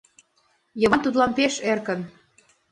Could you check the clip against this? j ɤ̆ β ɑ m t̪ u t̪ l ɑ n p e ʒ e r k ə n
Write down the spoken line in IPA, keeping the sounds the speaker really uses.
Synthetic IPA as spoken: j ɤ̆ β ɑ n t̪ u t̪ l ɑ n p e ʃ e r k ə n